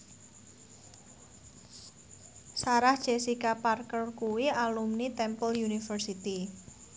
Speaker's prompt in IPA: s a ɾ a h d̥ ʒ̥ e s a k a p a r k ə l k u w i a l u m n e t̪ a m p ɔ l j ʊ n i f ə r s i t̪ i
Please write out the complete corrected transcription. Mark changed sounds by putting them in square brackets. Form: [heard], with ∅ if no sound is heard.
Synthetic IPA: s a ɾ a h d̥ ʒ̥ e s [i] k a p a r k ə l k u w i a l u m n [i] t̪ [ɛ] m p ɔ l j [u] n i f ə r s i t̪ i